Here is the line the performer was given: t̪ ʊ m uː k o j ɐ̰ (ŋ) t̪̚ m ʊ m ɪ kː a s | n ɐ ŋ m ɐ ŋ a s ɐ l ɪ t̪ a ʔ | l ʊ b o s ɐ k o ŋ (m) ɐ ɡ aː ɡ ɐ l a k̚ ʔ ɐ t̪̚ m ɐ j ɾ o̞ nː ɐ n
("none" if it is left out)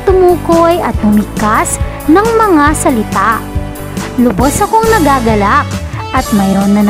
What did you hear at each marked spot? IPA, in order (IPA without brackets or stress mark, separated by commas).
none, n